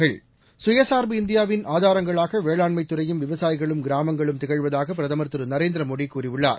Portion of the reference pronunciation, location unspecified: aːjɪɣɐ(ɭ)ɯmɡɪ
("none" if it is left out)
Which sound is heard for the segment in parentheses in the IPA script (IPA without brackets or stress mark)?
ɭ